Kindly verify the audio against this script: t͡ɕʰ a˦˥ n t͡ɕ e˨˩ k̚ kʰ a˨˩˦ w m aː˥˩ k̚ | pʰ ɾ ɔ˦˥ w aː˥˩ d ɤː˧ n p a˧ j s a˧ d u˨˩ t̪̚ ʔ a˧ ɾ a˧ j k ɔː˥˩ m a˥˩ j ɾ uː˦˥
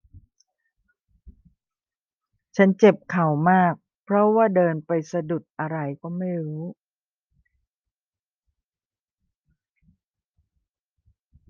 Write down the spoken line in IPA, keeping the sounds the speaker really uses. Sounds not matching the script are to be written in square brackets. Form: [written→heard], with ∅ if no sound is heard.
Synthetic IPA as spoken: t͡ɕʰ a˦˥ n t͡ɕ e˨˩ [k̚→p̚] kʰ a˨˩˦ w m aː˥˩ k̚ | pʰ ɾ ɔ˦˥ w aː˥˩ d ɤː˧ n p a˧ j s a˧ d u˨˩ t̪̚ ʔ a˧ ɾ a˧ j k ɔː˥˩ m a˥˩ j ɾ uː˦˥